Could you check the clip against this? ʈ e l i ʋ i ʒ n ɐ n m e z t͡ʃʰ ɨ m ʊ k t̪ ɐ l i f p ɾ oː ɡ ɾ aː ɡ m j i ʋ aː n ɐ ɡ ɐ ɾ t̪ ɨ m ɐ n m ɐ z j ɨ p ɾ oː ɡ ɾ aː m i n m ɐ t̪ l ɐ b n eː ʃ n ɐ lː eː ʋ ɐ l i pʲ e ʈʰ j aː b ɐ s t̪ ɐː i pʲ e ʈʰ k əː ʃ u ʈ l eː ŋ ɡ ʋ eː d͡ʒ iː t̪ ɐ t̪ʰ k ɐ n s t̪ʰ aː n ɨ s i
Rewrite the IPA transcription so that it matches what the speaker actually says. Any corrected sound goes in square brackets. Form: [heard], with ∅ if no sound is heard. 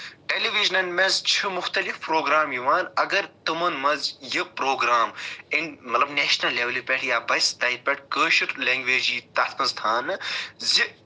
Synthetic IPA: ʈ e l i ʋ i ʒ n ɐ n m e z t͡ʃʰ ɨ m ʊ [x] t̪ ɐ l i f p ɾ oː ɡ ɾ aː [∅] m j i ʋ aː n ɐ ɡ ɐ ɾ t̪ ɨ m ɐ n m ɐ z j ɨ p ɾ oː ɡ ɾ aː m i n m ɐ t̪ l ɐ b n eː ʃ n ɐ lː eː ʋ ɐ l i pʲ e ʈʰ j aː b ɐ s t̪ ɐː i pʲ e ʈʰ k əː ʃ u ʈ l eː ŋ ɡ ʋ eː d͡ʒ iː t̪ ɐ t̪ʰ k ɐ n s t̪ʰ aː n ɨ [z] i